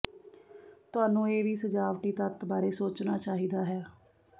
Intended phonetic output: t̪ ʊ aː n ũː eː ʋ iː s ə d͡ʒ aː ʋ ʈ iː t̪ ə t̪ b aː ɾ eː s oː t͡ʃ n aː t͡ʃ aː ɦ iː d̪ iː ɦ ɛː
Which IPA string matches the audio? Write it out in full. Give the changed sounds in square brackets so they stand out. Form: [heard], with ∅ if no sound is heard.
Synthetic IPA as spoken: t̪ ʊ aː n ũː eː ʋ iː s ə d͡ʒ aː ʋ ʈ iː t̪ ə t̪ b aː ɾ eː s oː t͡ʃ n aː t͡ʃ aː ɦ iː d̪ [aː] ɦ ɛː